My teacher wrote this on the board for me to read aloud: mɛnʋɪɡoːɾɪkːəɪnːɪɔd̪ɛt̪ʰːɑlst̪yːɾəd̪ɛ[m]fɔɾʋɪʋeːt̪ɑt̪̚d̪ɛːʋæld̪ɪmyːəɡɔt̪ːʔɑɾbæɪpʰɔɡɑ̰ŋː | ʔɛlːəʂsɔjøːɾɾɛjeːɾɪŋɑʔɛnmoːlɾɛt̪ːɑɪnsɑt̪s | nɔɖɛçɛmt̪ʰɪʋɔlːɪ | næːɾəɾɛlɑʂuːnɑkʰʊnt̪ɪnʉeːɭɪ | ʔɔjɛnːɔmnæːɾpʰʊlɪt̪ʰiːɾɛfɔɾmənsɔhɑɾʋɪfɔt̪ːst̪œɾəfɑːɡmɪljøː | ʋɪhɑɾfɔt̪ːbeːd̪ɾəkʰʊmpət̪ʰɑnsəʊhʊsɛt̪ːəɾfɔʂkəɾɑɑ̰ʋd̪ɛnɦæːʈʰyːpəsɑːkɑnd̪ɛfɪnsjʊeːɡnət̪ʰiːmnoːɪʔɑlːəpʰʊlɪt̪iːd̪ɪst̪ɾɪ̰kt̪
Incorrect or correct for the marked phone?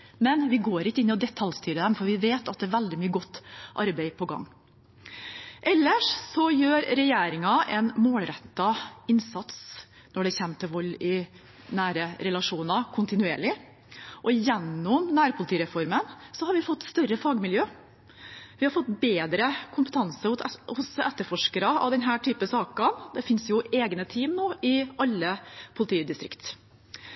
correct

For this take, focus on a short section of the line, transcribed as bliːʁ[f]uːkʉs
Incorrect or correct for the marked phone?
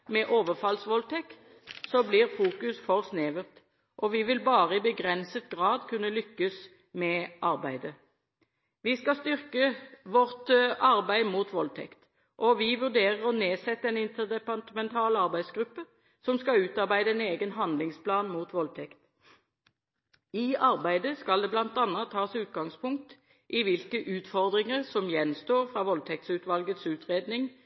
correct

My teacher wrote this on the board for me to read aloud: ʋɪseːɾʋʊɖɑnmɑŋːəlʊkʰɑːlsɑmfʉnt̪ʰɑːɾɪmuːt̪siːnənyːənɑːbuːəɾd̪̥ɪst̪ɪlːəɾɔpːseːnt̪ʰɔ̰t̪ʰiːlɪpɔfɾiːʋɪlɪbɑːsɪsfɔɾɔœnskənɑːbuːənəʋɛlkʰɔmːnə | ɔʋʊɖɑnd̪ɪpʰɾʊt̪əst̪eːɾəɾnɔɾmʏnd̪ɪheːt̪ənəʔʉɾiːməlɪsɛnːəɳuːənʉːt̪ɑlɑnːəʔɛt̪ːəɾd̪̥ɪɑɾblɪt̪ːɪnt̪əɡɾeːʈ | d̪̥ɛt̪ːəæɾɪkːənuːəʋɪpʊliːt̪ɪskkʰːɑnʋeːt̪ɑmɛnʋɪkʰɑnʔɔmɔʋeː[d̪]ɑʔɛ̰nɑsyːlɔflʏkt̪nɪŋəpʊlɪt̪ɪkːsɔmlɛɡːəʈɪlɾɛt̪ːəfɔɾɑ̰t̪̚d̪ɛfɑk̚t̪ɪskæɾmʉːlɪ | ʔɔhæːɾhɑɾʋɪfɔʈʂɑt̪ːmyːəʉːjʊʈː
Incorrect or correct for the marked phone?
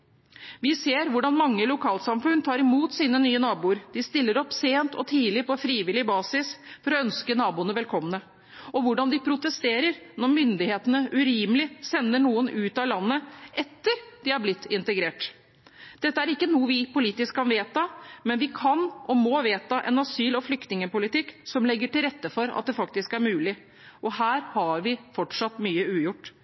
incorrect: t̪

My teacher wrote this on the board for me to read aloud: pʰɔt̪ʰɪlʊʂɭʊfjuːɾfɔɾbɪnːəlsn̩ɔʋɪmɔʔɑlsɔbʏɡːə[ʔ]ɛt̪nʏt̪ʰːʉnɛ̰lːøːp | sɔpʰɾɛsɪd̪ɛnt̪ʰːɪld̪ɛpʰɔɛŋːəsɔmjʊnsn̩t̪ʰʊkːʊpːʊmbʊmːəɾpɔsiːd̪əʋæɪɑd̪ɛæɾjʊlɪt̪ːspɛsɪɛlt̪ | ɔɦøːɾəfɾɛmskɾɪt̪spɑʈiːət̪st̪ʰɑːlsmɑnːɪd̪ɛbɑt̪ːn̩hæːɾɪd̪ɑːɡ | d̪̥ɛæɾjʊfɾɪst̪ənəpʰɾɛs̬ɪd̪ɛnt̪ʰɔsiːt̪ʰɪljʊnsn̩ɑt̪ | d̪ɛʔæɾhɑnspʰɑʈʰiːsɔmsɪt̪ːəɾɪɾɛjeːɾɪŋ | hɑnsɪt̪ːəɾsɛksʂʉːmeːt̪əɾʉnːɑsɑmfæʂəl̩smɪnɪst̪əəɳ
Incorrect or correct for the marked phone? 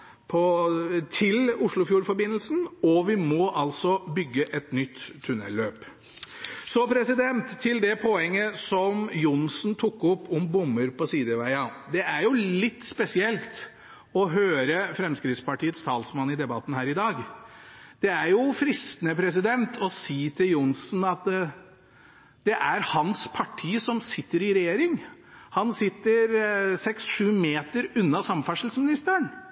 correct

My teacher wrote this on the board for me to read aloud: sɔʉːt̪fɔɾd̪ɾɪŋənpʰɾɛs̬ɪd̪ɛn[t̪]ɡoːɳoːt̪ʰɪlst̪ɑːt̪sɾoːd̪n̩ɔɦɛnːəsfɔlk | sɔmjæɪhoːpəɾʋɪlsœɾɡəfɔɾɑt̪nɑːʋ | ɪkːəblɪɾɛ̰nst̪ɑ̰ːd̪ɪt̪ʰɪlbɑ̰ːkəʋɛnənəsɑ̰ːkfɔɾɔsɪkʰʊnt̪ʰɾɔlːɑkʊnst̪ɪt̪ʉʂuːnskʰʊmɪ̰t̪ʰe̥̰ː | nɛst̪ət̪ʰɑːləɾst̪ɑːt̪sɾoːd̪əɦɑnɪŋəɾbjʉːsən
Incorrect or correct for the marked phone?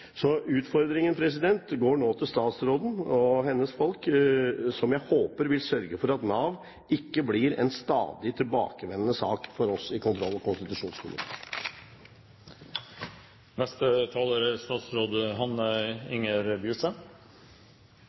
correct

